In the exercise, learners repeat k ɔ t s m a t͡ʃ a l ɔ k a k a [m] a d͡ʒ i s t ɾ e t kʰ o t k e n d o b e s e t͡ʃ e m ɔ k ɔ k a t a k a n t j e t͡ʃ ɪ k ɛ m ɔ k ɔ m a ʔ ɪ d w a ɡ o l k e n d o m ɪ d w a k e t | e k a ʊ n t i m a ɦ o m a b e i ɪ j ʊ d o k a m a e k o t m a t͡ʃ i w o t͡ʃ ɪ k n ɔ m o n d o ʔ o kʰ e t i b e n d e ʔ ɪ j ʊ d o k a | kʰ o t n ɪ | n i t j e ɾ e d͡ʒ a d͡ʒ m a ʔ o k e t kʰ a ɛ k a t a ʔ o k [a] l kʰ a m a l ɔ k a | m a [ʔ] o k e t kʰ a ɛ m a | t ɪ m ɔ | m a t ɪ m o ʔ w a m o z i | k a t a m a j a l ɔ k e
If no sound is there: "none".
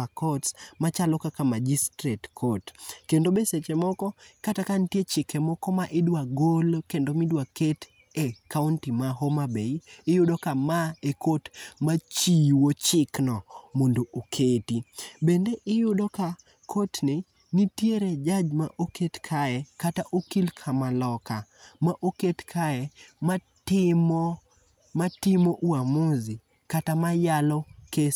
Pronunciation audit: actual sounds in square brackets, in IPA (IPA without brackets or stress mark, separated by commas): m, i, ʔ